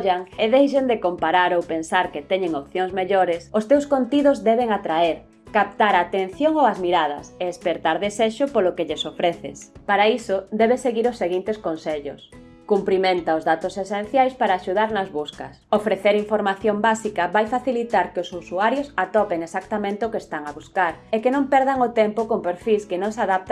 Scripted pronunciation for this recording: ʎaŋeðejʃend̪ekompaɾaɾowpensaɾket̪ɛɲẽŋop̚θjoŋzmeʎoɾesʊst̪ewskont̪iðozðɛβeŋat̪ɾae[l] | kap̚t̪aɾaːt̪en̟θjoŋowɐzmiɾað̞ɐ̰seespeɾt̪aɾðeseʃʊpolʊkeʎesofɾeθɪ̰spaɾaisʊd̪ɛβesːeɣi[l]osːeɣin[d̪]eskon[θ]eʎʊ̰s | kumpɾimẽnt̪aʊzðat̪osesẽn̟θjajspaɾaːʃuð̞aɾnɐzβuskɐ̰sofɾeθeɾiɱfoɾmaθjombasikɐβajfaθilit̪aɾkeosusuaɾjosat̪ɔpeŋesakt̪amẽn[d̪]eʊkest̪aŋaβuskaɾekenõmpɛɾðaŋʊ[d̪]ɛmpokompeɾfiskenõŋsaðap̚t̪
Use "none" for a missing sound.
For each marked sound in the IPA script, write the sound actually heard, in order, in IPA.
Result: ɾ, ɾ, t̪, s, t̪, t̪

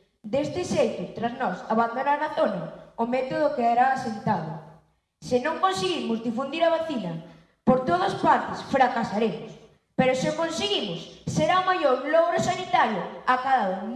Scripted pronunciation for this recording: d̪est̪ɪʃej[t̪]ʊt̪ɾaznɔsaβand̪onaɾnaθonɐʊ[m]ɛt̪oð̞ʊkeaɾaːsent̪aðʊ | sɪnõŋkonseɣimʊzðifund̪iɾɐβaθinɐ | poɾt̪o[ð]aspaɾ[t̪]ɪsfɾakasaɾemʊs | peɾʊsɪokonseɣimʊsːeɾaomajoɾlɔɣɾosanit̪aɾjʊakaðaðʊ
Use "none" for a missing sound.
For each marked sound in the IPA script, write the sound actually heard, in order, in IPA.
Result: t̪, m, ð, t̪

